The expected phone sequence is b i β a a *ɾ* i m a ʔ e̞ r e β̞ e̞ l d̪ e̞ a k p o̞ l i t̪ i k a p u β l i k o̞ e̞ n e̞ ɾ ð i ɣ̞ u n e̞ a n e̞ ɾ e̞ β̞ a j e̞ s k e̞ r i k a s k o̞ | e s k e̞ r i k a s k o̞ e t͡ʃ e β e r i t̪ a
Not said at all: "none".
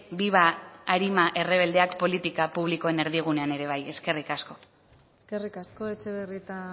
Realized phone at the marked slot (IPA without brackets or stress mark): ɾ